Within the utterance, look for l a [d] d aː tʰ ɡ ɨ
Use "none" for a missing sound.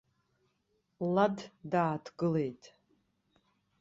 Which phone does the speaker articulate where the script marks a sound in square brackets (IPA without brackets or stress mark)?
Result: d